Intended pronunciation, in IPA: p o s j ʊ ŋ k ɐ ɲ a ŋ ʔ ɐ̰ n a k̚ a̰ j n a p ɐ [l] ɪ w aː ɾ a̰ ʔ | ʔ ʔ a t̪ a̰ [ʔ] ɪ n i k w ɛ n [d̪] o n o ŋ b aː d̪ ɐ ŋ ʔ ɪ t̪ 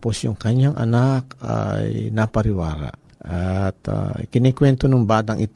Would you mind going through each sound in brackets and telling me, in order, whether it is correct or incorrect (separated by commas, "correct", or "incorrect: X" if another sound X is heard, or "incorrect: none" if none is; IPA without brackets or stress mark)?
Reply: incorrect: ɾ, incorrect: k, incorrect: t̪